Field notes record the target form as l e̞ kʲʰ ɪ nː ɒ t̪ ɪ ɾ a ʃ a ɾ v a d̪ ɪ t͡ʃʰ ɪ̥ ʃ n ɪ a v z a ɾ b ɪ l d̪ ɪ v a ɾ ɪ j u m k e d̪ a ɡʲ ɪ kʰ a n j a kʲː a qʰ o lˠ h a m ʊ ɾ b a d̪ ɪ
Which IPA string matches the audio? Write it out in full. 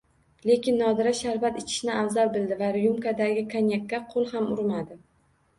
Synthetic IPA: l e̞ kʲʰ ɪ nː ɒ d̪ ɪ ɾ a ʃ a ɾ v a t̪ ɪ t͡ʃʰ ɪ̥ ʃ n ɪ a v z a ɾ b ɪ l d̪ ɪ v a ɾ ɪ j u m k a d̪ a ɡʲ ɪ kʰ a n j a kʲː a qʰ o lˠ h a m ʊ ɾ m a d̪ ɪ

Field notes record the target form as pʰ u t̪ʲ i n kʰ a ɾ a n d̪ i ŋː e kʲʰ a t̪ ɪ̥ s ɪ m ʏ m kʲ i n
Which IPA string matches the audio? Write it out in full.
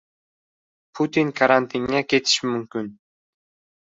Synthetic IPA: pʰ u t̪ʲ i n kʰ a ɾ a n t̪ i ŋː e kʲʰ e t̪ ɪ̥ ʃ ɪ m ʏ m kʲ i n

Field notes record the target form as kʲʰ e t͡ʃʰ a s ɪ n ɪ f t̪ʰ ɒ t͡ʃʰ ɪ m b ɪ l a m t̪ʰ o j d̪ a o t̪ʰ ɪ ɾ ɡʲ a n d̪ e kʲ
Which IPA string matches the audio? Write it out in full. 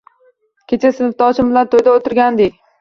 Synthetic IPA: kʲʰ e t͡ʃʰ a s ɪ n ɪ f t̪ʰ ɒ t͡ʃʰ ɪ m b ɪ l a n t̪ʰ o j d̪ a o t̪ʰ ɪ ɾ ɡʲ a n d̪ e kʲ

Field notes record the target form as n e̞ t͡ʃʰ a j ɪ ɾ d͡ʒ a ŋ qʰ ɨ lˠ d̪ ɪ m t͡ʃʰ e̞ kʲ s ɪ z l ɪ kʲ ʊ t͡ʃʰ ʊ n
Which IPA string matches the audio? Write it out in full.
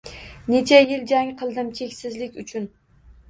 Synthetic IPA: n e̞ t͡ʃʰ a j ɪ l d͡ʒ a ŋ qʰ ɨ lˠ d̪ ɪ m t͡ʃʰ e̞ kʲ s ɪ z l ɪ kʲ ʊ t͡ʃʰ ʊ n

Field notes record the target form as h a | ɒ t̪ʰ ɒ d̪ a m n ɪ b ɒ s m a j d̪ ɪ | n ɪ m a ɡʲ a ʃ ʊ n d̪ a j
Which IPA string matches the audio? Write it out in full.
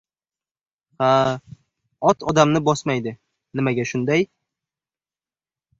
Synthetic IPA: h a | ɒ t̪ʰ ɒ d̪ a m n ɪ b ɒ s m a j d̪ ɪ | n ɪ m a ɡʲ a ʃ ʊ n d̪ a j

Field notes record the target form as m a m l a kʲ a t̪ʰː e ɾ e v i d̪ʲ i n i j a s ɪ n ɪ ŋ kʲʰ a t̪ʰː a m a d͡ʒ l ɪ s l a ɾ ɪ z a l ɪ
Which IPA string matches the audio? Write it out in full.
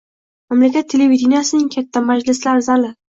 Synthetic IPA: m a m l a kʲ a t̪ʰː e l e v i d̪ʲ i n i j a s ɪ n ɪ ŋ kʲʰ a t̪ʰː a m a d͡ʒ l ɪ s l a ɾ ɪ z a l ɪ

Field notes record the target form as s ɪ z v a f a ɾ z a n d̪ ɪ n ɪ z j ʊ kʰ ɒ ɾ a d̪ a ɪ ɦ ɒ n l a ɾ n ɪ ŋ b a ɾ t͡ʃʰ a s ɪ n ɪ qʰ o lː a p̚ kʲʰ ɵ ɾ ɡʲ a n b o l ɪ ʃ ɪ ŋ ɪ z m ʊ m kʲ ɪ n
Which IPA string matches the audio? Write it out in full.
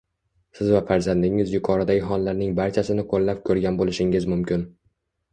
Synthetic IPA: s ɪ z v a f a ɾ z a n d̪ ɪ ŋ ɪ z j ʊ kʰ ɒ ɾ a d̪ a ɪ ɦ ɒ n l a ɾ n ɪ ŋ b a ɾ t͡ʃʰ a s ɪ n ɪ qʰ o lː a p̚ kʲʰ ɵ ɾ ɡʲ a n b o l ɪ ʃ ɪ ŋ ɪ z m ʊ m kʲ ɪ n

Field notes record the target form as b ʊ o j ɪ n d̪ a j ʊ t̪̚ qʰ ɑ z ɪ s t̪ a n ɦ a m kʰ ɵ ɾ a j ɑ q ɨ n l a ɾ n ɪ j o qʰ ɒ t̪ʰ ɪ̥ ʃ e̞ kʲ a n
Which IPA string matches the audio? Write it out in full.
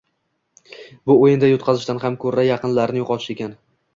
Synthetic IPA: b ʊ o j ɪ n d̪ a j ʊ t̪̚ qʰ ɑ z ɪ ʃ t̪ a n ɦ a m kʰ ɵ ɾ a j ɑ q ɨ n l a ɾ n ɪ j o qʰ ɒ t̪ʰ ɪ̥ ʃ e̞ kʲ a n

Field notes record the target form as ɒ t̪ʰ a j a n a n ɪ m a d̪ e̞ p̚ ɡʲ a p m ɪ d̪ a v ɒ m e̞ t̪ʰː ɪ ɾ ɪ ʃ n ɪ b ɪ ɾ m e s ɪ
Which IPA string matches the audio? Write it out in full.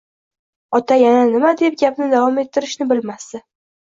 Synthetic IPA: ɒ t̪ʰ a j a n a n ɪ m a d̪ e̞ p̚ ɡʲ a p n ɪ d̪ a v ɒ m e̞ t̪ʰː ɪ ɾ ɪ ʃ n ɪ b ɪ l m a s ɪ

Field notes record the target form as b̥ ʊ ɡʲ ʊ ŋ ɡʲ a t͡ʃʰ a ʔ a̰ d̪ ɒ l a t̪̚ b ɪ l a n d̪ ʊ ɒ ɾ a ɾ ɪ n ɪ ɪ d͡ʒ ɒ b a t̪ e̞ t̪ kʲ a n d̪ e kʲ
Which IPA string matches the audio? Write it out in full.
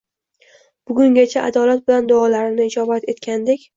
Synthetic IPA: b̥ ʊ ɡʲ ʊ ŋ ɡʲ a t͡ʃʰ a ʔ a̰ d̪ ɒ l a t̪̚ b ɪ l a n d̪ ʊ ɒ l a ɾ ɪ n ɪ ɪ d͡ʒ ɒ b a t̪ e̞ t̪ kʲ a n d̪ e kʲ

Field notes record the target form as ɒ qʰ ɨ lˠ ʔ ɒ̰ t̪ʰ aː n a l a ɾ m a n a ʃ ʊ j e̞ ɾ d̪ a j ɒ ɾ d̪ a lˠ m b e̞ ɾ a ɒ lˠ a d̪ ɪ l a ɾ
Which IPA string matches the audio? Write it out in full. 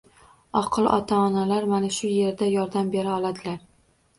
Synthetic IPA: ɒ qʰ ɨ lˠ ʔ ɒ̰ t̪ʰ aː n a l a ɾ m a n a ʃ ʊ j e̞ ɾ d̪ a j ɒ ɾ d̪ a m b e̞ ɾ a ɒ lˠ a d̪ ɪ l a ɾ

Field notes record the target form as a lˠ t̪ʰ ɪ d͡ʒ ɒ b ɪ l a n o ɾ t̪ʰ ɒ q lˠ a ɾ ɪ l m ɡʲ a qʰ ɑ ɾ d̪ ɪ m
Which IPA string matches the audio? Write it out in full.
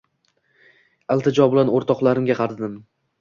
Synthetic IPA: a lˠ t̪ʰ ɪ d͡ʒ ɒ b ɪ l a n o ɾ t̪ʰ ɒ q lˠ a ɾ ɪ m ɡʲ a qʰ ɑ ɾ d̪ ɪ m

